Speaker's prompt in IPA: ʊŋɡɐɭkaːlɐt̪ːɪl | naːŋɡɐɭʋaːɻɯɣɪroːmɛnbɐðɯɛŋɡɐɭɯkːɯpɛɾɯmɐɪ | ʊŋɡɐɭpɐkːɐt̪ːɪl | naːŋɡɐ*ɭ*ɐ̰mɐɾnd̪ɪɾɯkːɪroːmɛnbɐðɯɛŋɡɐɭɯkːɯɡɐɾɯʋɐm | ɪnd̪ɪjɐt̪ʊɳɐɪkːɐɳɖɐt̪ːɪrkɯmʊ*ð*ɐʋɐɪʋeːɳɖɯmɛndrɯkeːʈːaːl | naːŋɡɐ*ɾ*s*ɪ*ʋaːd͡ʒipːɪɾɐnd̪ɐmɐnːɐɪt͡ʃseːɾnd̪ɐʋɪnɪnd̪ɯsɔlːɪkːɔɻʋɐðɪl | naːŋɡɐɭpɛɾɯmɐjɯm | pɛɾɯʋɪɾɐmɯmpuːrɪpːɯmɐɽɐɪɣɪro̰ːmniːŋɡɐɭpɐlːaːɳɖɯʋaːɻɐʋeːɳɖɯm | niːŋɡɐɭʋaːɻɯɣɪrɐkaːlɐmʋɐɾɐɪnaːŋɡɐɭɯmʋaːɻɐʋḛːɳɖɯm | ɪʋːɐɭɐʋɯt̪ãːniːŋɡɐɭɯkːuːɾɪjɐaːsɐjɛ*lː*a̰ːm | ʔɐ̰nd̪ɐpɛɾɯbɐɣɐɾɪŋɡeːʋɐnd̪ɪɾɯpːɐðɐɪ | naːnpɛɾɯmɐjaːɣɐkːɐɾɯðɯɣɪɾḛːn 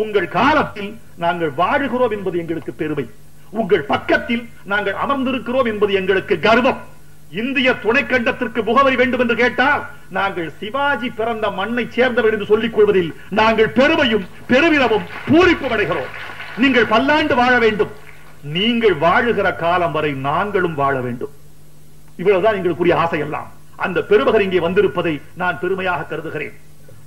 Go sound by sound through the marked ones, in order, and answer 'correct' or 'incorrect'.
correct, incorrect: ɣ, incorrect: ɭ, correct, correct

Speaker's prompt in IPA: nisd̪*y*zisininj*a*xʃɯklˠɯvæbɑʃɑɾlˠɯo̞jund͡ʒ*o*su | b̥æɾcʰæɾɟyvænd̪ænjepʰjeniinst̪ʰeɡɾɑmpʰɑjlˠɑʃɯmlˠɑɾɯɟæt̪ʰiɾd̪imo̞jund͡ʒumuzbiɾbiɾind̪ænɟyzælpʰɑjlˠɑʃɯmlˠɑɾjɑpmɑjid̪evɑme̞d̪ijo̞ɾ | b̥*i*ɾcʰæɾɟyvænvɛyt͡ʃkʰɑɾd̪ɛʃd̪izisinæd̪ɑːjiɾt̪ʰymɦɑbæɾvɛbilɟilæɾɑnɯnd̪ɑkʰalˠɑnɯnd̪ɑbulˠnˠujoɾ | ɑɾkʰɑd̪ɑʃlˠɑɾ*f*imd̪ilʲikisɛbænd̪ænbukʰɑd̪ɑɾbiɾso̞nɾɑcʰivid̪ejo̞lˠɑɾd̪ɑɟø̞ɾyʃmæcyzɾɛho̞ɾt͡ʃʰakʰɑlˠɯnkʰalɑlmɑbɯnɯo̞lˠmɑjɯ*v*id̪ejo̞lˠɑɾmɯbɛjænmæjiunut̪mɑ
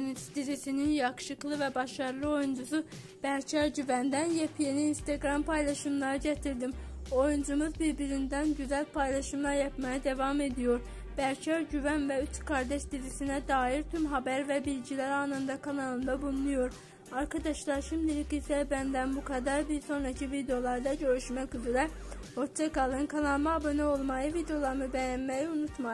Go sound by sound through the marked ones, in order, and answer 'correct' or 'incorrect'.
incorrect: i, incorrect: ɑ, incorrect: u, incorrect: æ, incorrect: ʃ, correct

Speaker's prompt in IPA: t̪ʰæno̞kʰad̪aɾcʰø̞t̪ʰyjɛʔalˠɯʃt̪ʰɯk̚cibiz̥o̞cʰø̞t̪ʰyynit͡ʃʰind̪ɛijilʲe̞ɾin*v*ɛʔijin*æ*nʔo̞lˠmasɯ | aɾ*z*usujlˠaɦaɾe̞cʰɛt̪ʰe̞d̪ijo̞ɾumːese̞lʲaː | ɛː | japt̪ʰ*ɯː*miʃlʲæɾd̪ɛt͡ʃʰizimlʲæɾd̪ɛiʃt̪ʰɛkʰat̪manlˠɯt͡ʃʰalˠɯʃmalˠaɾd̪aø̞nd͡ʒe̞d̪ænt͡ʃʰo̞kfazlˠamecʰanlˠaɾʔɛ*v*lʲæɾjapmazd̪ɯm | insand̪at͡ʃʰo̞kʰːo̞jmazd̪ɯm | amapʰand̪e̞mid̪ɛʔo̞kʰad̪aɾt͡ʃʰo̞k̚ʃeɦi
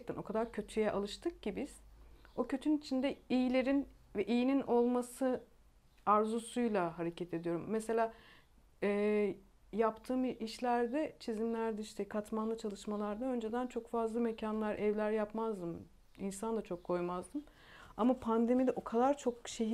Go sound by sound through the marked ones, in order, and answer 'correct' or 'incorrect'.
correct, incorrect: i, correct, correct, correct

